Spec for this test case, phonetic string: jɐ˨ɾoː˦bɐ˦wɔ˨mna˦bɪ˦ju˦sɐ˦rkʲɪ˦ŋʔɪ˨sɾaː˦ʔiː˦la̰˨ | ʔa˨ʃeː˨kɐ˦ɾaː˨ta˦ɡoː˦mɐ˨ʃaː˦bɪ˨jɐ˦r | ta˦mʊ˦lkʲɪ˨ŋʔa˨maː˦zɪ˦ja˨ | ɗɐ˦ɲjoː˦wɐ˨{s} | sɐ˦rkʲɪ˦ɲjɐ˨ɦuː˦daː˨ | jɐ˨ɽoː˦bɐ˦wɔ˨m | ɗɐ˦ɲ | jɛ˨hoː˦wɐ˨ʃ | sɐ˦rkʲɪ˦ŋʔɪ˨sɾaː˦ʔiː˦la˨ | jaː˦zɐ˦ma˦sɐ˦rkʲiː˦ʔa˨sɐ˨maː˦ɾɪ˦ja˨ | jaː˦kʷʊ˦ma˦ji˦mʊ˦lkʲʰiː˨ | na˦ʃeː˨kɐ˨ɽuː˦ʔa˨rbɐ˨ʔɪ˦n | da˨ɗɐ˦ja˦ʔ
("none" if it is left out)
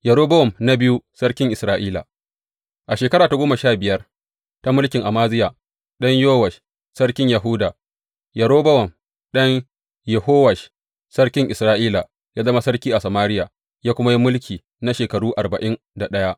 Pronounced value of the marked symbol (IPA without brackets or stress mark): ʃ